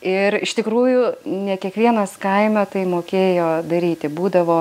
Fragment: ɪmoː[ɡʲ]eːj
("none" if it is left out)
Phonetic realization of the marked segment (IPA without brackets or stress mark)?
kʲ